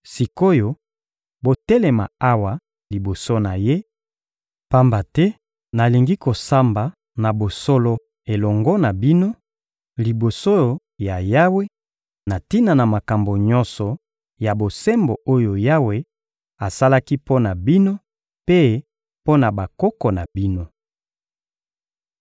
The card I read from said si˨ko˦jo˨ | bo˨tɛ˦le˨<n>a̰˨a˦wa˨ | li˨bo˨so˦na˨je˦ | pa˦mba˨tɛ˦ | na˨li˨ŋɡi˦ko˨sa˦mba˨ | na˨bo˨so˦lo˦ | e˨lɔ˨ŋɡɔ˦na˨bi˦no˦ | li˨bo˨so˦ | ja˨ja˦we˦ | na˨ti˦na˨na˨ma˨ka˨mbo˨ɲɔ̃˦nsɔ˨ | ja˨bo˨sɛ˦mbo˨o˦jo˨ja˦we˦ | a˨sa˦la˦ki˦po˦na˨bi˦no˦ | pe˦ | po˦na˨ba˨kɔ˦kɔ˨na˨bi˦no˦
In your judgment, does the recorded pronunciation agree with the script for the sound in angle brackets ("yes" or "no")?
no